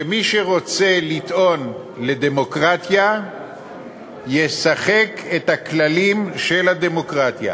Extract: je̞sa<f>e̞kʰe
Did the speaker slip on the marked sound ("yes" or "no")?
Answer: yes